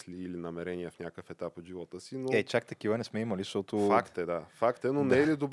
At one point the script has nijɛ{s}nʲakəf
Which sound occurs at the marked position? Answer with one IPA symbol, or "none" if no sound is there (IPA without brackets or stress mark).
f